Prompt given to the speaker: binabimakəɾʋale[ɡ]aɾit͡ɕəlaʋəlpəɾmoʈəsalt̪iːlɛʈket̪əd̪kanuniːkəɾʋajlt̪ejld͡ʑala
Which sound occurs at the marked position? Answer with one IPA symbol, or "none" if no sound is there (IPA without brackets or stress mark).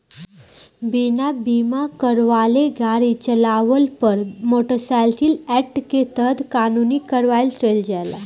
ɡ